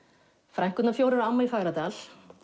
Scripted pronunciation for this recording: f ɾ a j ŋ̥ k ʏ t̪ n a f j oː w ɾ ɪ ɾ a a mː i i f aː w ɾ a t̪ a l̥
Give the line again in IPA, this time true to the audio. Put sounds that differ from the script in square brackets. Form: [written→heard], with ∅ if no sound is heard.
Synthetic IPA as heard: f ɾ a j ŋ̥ k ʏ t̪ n a f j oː w ɾ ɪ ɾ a a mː [i→a] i f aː [w→ɣ] ɾ a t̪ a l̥

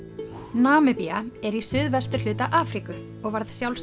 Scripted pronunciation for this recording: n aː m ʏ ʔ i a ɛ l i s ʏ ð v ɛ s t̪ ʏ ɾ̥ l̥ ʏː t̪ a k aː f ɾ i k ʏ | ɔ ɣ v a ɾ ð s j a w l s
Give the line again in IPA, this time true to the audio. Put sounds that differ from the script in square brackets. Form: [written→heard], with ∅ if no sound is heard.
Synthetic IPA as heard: n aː m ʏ [ʔ→p] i a ɛ [l→ɾ] i s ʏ ð v ɛ s t̪ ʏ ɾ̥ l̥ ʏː t̪ a [k→ʔ] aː f ɾ i k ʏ | ɔ ɣ v a ɾ ð s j a w l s

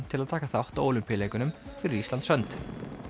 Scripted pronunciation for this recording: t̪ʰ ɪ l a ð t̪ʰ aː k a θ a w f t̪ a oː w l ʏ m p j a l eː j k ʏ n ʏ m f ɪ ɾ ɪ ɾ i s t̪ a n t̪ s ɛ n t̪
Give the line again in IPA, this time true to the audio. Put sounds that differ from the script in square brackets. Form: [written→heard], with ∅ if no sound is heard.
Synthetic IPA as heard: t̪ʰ ɪ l a ð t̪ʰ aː k a θ a w [f→h] t̪ a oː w l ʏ m p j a l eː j k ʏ n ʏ m f ɪ ɾ ɪ ɾ i s t̪ a n t̪ s [ɛ→œ] n t̪

